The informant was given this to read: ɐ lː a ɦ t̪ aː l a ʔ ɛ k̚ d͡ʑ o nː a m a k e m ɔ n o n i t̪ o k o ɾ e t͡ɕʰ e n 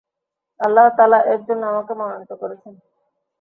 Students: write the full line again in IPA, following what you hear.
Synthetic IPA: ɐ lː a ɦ t̪ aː l a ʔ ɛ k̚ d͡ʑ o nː a m a k e m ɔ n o n i t̪ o k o ɾ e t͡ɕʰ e n